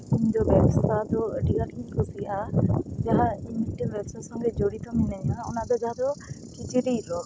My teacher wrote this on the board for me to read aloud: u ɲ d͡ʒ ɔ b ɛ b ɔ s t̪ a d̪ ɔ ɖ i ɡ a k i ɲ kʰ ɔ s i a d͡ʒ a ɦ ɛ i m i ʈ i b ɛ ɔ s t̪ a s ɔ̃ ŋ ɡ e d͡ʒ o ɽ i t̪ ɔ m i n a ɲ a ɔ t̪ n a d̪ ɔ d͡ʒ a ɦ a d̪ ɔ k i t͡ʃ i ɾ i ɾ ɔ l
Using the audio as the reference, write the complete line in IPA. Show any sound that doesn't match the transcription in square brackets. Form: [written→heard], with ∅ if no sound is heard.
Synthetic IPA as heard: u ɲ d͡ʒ ɔ b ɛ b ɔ s t̪ a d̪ ɔ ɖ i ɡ a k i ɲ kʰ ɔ s i a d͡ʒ a ɦ [ɛ→a] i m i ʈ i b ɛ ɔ s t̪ a s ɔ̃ ŋ ɡ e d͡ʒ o ɽ i t̪ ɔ m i n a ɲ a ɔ [t̪→∅] n a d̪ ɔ d͡ʒ a ɦ a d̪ ɔ k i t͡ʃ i ɾ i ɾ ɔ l